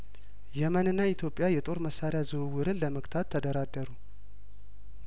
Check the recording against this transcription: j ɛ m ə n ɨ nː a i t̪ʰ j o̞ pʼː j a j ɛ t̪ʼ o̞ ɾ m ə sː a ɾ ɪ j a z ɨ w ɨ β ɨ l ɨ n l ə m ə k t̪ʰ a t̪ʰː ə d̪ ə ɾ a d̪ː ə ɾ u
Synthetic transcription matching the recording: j ɛ m ə n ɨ nː a i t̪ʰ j o̞ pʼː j a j ɛ t̪ʼ o̞ ɾ m ə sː a ɾ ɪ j a z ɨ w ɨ w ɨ ɾ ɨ n l ə m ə k t̪ʰ a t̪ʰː ə d̪ ə ɾ a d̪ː ə ɾ u